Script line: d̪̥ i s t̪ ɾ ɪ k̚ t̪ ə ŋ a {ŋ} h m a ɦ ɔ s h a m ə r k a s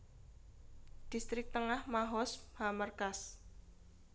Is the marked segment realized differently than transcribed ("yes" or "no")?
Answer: yes